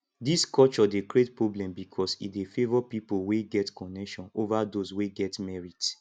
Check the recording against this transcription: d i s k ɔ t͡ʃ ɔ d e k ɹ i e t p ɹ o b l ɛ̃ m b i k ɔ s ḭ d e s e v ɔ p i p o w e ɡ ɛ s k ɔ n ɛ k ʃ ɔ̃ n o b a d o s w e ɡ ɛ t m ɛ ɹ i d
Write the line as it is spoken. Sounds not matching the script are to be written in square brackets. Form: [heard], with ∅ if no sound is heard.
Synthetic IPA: d i s k ɔ t͡ʃ ɔ d e k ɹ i e t p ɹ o b l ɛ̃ m b i [kʰ] ɔ s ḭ d e [f] e v ɔ p i p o w e ɡ ɛ [t] k ɔ n ɛ k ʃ ɔ̃ n o [v] a d o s w e ɡ ɛ t m ɛ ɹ i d

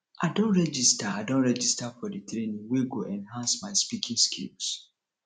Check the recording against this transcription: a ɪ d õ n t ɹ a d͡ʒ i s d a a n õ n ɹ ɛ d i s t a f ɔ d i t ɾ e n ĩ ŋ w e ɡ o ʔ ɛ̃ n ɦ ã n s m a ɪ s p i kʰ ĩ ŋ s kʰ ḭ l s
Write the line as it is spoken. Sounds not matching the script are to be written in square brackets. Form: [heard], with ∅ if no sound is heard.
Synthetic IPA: a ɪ d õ n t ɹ [ɛ] d͡ʒ i s [t] a a [d] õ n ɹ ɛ [d͡ʒ] i s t a f ɔ d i t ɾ e n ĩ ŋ w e ɡ o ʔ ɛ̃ n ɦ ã n s m a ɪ s p i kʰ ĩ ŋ s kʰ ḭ l s

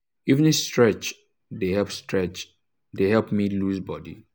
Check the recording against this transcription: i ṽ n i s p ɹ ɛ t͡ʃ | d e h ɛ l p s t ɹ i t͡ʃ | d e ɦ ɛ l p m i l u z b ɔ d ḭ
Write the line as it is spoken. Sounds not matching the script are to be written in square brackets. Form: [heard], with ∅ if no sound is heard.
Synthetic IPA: i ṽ n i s [t] ɹ ɛ t͡ʃ | d e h ɛ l p s t ɹ [ɛ] t͡ʃ | d e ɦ ɛ l p m i l u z b ɔ d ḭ

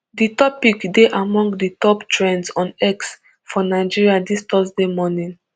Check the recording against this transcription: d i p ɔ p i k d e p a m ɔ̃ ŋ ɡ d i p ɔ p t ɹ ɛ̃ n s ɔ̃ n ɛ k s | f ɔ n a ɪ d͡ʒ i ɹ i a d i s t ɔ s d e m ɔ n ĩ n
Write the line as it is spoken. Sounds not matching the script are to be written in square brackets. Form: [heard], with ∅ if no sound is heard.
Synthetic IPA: d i [t] ɔ p i k d e [ʔ] a m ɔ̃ ŋ ɡ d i [t] ɔ p t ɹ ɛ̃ n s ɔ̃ n ɛ k s | f ɔ n a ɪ d͡ʒ i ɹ i a d i s t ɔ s d e m ɔ n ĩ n

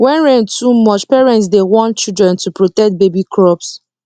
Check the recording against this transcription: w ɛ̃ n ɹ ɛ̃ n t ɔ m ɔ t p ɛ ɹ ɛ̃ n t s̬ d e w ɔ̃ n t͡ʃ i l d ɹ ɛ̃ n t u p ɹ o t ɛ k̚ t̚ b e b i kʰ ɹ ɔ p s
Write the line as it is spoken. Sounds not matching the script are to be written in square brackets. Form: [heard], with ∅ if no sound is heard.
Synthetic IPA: w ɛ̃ n ɹ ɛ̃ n t [u] m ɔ [t͡ʃ] p ɛ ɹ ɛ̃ n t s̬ d e w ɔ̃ n t͡ʃ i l d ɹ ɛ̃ n t u p ɹ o t ɛ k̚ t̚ b e b i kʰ ɹ ɔ p s

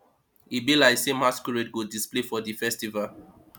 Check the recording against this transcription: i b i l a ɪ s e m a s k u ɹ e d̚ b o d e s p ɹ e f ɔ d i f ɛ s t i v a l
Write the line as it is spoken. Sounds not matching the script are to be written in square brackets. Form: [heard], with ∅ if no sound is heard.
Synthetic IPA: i b i l a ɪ s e m a s k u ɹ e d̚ [ɡ] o d [i] s p [l] e f ɔ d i f ɛ s t i v a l

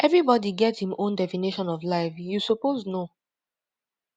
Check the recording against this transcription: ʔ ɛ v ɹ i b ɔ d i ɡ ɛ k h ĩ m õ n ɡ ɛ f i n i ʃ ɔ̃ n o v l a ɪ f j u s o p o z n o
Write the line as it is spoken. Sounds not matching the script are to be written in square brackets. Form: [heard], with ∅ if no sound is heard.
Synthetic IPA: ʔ ɛ v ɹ i b ɔ d i ɡ ɛ [t] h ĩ m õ n [d] ɛ f i n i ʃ ɔ̃ n [ɔ] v l a ɪ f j u s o p o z n o

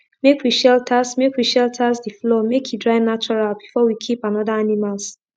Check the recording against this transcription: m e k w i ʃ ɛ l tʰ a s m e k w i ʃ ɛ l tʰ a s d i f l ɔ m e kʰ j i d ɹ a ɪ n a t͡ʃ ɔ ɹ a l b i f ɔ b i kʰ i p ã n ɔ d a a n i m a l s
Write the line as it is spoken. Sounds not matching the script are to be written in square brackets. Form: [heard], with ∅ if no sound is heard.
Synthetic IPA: m e k w i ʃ ɛ l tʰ a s m e k w i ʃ ɛ l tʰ a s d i f l ɔ m e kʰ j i d ɹ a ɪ n a t͡ʃ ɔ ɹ a l b i f ɔ [w] i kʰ i p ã n ɔ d a a n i m a l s

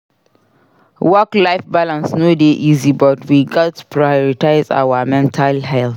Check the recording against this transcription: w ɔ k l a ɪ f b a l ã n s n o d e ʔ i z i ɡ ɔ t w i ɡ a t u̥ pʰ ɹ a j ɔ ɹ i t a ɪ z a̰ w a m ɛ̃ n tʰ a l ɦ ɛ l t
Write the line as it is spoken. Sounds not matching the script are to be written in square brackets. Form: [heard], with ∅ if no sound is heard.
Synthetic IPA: w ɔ k l a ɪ f b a l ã n s n o d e ʔ i z i [b] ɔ t w i ɡ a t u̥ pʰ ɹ a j ɔ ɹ i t a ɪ z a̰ w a m ɛ̃ n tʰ a l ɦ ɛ l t

